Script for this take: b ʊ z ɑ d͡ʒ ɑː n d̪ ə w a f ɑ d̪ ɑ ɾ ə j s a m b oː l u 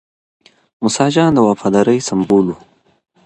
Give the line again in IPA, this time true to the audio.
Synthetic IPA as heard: m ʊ s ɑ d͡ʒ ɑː n d̪ ə w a f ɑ d̪ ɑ ɾ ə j s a m b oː l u